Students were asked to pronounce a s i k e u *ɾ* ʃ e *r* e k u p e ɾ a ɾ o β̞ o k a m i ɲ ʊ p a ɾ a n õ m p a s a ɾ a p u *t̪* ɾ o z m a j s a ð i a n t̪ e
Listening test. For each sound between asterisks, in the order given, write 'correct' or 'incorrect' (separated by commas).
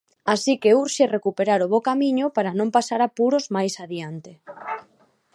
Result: correct, correct, incorrect